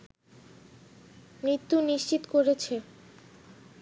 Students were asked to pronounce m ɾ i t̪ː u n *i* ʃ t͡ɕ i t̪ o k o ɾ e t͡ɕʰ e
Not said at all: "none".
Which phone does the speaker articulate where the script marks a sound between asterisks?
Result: i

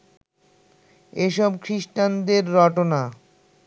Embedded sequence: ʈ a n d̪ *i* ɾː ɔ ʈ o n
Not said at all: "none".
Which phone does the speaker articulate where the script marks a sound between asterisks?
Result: e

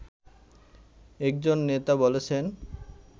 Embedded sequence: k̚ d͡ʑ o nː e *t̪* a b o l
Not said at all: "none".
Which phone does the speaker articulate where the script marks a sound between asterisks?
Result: t̪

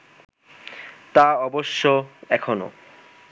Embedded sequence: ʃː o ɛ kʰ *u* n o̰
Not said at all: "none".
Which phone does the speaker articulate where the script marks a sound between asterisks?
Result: o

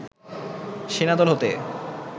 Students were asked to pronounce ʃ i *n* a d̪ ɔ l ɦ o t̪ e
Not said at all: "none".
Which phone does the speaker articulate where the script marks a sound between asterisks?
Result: n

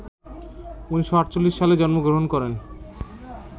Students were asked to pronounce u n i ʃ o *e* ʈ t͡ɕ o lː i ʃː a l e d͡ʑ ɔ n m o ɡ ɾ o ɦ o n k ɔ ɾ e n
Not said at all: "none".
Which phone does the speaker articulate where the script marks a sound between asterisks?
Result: a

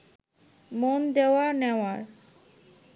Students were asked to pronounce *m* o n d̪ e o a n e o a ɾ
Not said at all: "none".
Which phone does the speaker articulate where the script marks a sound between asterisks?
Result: m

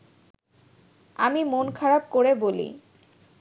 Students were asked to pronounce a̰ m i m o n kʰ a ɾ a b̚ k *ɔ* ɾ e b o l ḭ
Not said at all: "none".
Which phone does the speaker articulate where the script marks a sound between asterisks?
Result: o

